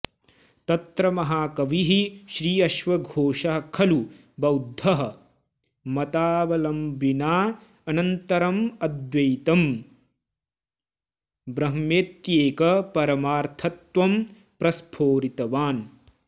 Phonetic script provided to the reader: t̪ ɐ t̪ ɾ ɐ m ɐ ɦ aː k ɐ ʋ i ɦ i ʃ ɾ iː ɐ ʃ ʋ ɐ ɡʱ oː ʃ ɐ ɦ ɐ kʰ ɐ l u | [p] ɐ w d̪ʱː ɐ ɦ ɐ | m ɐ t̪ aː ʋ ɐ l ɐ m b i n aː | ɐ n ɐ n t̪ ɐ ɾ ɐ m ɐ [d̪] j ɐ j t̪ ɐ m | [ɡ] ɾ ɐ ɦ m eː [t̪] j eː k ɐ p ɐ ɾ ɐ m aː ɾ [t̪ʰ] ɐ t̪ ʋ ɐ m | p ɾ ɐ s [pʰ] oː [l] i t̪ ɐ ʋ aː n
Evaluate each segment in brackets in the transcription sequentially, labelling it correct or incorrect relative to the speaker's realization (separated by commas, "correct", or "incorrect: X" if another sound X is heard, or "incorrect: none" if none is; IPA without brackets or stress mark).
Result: incorrect: b, correct, incorrect: b, correct, correct, correct, incorrect: ɾ